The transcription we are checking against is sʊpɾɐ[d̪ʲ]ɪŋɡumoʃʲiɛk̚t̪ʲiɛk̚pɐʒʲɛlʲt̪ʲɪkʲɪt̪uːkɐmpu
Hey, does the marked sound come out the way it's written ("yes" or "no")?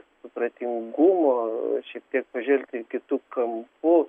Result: no